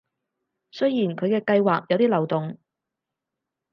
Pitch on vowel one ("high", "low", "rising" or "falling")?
high